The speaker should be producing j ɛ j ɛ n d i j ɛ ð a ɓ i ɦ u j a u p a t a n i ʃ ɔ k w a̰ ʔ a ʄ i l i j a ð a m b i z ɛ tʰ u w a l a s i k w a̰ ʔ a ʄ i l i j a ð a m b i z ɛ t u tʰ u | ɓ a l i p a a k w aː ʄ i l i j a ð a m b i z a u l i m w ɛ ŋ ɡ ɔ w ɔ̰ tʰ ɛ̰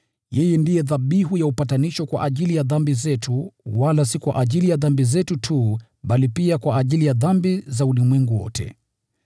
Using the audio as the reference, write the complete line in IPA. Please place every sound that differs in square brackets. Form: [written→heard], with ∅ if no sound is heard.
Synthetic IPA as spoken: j ɛ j ɛ n d i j ɛ ð a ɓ i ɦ u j a u p a t a n i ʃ ɔ k w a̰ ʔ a ʄ i l i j a ð a m b i z ɛ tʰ u w a l a s i k w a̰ ʔ a ʄ i l i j a ð a m b i z ɛ t u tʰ u | ɓ a l i p [a→i] a k w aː ʄ i l i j a ð a m b i z a u l i m w ɛ ŋ ɡ [ɔ→u] w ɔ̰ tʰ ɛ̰